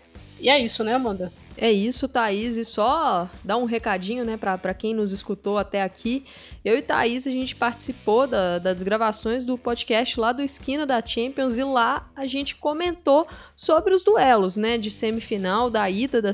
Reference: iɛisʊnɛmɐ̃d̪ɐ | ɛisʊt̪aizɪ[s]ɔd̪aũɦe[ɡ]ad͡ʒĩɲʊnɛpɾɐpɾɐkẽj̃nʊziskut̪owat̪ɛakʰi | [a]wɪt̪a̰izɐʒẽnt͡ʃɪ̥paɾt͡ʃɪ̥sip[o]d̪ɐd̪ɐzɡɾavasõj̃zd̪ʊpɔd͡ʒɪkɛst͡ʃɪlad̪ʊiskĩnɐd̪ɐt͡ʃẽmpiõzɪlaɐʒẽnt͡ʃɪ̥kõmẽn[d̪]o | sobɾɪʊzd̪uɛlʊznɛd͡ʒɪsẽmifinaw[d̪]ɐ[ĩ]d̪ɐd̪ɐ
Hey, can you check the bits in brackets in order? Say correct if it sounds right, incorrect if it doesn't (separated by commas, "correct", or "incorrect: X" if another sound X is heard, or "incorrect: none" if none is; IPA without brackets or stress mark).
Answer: correct, incorrect: k, incorrect: e, correct, incorrect: t̪, correct, incorrect: i